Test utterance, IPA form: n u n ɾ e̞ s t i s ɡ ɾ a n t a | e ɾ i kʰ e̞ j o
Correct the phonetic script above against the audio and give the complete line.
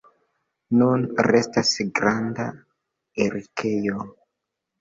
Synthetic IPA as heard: n u n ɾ e̞ s t a s ɡ ɾ a n d a | e ɾ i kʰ e̞ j o